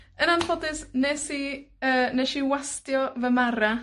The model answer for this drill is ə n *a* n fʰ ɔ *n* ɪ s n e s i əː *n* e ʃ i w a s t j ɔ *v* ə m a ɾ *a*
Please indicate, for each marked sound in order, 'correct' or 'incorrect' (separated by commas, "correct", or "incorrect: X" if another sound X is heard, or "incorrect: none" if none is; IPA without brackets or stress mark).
correct, incorrect: d, correct, correct, correct